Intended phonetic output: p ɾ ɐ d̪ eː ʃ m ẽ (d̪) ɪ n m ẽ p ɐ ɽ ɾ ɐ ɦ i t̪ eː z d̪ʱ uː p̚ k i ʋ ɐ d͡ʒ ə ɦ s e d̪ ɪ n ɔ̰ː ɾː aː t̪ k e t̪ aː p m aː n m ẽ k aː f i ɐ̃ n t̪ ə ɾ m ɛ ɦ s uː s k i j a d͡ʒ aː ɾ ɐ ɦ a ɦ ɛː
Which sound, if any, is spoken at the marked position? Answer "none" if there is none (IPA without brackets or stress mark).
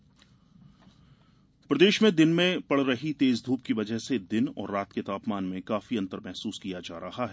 d̪